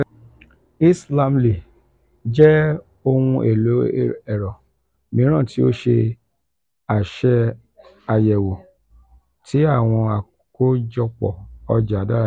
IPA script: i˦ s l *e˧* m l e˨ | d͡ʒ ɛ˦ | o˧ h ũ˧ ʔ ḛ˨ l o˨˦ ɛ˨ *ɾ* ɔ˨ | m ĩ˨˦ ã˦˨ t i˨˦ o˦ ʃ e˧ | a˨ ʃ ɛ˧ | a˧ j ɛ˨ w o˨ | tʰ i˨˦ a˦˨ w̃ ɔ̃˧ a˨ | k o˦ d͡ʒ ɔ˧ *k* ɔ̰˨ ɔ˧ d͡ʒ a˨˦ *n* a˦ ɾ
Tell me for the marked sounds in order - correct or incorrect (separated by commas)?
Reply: incorrect, correct, incorrect, incorrect